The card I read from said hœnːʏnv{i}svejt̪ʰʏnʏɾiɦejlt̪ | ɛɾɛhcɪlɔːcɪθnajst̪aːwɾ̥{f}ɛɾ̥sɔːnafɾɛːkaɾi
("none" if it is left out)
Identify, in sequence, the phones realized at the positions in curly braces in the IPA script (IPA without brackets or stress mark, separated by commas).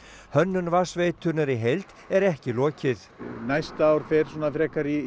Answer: a, f